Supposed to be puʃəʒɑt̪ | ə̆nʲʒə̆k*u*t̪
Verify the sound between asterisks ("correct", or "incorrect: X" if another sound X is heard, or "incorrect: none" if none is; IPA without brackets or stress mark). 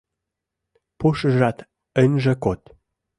incorrect: o